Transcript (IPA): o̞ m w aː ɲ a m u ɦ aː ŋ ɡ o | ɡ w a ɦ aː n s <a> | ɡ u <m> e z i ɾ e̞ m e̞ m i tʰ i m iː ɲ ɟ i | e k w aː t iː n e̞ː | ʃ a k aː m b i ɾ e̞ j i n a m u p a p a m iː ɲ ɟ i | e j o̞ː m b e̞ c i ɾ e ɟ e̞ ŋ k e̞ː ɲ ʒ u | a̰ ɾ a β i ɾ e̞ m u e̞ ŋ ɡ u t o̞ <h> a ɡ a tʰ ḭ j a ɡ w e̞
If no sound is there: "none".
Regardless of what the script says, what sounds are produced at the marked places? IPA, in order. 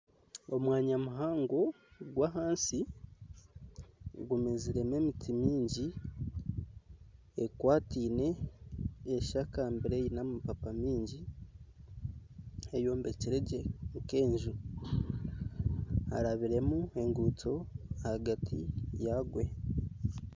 i, m, h

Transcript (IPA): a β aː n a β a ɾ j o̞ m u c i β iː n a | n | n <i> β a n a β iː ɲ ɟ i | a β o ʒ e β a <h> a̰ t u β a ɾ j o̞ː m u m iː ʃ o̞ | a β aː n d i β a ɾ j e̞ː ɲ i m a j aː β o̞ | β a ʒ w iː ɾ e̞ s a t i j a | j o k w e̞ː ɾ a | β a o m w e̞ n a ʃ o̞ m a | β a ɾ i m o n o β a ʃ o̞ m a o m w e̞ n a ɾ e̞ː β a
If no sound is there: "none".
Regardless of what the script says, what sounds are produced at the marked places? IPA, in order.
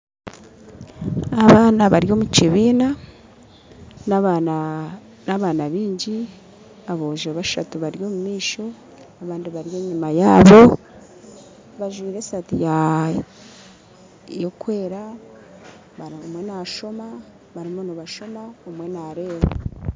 a, ʃ

